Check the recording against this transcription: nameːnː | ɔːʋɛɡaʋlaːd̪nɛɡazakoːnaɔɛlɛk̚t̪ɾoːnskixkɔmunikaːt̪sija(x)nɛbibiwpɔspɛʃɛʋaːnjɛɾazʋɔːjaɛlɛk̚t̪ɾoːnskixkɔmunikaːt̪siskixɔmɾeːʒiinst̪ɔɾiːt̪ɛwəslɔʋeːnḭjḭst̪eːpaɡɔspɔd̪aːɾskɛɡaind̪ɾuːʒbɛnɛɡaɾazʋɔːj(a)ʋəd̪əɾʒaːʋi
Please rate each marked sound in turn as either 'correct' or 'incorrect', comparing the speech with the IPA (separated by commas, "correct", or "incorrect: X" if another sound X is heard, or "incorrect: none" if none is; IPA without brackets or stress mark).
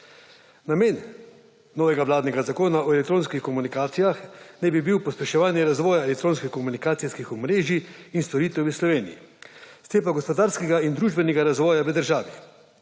correct, correct